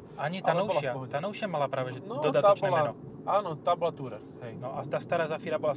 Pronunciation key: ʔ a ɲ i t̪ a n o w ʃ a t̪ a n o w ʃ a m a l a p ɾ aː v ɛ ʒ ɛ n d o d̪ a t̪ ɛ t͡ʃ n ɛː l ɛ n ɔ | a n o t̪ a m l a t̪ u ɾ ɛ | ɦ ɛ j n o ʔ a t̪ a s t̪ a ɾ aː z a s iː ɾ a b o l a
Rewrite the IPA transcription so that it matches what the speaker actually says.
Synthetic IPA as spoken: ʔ a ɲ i t̪ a n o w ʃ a t̪ a n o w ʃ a m a l a p ɾ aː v ɛ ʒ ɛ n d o d̪ a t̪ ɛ t͡ʃ n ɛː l ɛ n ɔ | a n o t̪ a b l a t̪ u ɾ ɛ | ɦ ɛ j n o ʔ a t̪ a s t̪ a ɾ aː z a f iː ɾ a b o l a